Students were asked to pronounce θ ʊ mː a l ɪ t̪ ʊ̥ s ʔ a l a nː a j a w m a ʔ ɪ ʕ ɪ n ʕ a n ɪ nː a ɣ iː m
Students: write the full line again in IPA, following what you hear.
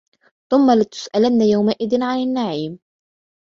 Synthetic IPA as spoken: θ ʊ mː a l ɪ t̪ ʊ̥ s ʔ a l a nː a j a w m a ʔ ɪ ð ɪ n ʕ a n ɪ nː a ʕ iː m